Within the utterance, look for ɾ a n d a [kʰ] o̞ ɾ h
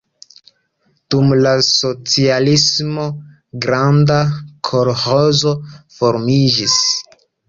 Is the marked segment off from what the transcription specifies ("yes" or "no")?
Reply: no